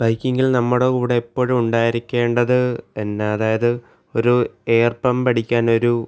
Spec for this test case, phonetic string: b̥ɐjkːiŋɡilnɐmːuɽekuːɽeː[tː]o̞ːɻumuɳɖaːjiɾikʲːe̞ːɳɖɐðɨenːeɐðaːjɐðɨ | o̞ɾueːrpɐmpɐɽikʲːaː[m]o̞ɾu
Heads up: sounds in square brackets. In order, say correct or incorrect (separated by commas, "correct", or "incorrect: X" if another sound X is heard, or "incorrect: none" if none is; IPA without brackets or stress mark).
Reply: incorrect: pː, incorrect: n